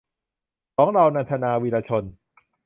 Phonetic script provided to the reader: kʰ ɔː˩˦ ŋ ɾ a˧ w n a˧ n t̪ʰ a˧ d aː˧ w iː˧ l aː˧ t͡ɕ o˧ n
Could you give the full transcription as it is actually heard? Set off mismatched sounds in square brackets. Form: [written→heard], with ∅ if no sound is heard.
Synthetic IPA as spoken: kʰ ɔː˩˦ ŋ ɾ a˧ w n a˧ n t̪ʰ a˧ [d→n] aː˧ w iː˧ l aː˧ [t͡ɕ→t͡ɕʰ] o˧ n